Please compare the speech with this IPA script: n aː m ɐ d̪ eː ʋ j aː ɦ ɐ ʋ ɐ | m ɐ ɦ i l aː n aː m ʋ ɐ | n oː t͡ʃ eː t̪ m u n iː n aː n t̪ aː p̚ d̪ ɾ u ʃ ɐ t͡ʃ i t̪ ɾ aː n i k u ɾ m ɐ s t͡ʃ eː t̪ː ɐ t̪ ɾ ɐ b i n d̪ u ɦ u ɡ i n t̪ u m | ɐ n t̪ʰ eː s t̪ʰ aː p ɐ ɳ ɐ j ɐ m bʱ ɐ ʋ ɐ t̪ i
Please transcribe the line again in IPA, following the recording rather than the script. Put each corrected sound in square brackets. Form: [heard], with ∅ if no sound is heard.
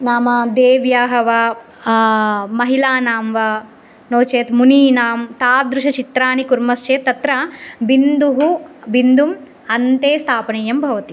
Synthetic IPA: n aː m ɐ d̪ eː ʋ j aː ɦ ɐ ʋ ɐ | m ɐ ɦ i l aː n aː m ʋ ɐ | n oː t͡ʃ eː t̪ m u n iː n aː [m] t̪ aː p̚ d̪ ɾ u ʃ ɐ t͡ʃ i t̪ ɾ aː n i k u ɾ m ɐ s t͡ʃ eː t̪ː ɐ t̪ ɾ ɐ b i n d̪ u ɦ u [b] i n [d̪] u m | ɐ n [t̪] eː s t̪ʰ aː p ɐ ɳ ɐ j ɐ m bʱ ɐ ʋ ɐ t̪ i